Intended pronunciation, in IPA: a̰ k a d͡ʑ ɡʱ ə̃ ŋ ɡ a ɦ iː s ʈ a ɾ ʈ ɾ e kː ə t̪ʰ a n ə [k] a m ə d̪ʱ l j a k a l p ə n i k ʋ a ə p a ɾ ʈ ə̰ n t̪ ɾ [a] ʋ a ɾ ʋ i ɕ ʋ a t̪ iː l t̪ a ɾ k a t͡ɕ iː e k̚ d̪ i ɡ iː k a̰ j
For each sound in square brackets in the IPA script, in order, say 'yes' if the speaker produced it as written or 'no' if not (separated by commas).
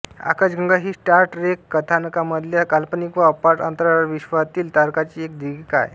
yes, yes